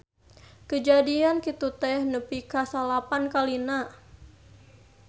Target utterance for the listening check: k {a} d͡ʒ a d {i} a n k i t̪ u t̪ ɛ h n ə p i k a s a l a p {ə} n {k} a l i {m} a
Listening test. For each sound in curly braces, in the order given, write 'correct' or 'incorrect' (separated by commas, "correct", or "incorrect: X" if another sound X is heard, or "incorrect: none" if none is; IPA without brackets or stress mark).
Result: incorrect: ə, correct, incorrect: a, correct, incorrect: n